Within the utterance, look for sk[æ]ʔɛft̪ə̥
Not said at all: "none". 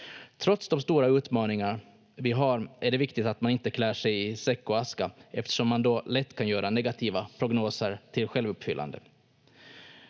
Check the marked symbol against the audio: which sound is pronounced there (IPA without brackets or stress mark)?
a